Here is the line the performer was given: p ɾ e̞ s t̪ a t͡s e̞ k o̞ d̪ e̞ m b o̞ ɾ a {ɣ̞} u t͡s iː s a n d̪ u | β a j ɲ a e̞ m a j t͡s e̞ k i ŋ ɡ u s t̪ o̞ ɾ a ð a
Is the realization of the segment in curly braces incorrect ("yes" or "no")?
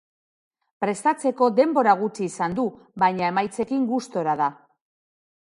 no